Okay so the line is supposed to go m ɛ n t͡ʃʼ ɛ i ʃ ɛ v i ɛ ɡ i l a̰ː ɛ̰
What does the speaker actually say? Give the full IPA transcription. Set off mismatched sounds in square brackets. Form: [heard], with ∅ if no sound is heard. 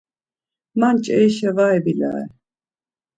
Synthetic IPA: m [a] n t͡ʃʼ ɛ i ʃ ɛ v [a] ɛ [b] i l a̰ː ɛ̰

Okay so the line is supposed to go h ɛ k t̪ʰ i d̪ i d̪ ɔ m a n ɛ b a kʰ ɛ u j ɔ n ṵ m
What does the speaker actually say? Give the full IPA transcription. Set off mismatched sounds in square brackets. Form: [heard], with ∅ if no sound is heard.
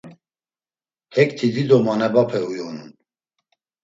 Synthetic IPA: h ɛ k t̪ʰ i d̪ i d̪ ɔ m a n ɛ b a [pʰ] ɛ u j ɔ n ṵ [n]

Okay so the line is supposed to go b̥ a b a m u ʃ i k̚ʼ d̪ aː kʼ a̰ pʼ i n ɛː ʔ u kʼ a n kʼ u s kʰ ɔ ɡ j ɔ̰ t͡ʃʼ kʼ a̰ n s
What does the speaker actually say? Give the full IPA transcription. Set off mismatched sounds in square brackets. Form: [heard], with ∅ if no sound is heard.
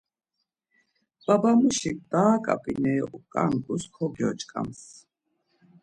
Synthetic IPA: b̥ a b a m u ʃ i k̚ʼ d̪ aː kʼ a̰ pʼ i n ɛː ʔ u kʼ a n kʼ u s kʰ ɔ ɡ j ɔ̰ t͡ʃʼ kʼ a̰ [m] s

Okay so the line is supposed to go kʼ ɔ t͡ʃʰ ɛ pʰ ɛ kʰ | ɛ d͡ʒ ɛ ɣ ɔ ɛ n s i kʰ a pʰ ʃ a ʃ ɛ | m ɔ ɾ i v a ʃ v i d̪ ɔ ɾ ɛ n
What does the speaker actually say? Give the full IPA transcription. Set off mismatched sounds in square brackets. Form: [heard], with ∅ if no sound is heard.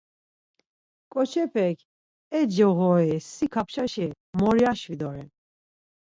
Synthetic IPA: kʼ ɔ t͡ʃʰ ɛ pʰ ɛ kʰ | ɛ d͡ʒ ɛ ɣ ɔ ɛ [∅] s i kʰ a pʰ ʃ a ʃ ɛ | m ɔ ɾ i [∅] a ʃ v i d̪ ɔ ɾ ɛ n

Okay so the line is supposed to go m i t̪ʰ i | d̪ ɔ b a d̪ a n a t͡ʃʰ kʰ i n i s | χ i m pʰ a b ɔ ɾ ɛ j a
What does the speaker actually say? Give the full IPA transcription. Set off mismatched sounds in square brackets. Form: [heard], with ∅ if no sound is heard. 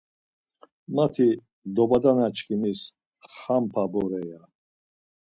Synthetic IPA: m [a] t̪ʰ i | d̪ ɔ b a d̪ a n a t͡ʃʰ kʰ i [m] i s | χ [a] m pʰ a b ɔ ɾ ɛ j a

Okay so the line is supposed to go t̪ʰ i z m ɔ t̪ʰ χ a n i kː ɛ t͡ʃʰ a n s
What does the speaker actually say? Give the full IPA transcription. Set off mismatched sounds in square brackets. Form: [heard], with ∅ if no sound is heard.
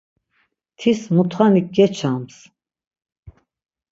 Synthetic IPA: t̪ʰ i [s] m [u] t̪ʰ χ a n i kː ɛ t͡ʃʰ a [m] s

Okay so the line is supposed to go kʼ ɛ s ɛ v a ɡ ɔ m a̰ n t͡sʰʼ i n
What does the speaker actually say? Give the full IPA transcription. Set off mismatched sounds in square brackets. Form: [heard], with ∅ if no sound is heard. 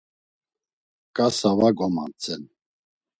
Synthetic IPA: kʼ [a] s [a] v a ɡ ɔ m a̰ n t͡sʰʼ [ɛ] n

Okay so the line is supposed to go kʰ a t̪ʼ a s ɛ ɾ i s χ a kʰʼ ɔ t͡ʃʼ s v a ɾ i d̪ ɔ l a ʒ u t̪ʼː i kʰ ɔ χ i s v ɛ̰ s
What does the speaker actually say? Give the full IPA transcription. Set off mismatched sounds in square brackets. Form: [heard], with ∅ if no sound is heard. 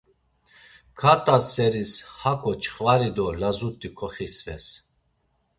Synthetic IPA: kʰ a t̪ʼ a s ɛ ɾ i s [h] a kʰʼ ɔ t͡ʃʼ [χ] v a ɾ i d̪ ɔ l a [z] u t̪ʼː i kʰ ɔ χ i s v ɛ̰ s

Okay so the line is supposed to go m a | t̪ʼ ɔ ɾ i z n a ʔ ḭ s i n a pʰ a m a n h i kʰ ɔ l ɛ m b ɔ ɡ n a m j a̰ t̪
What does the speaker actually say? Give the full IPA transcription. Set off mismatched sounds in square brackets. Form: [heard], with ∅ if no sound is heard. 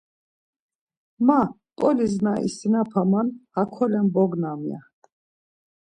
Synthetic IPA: m a | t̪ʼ ɔ [l] i z n a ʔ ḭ s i n a pʰ a m a n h [a] kʰ ɔ l ɛ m b ɔ ɡ n a m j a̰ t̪

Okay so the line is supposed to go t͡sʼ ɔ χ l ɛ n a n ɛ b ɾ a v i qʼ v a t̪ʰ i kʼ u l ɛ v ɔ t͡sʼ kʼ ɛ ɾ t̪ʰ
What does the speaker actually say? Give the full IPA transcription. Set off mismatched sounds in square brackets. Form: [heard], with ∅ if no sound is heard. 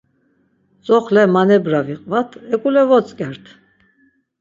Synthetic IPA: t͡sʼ ɔ χ l ɛ [m] a n ɛ b ɾ a v i qʼ v a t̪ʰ [ɛ] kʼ u l ɛ v ɔ t͡sʼ kʼ ɛ ɾ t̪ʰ

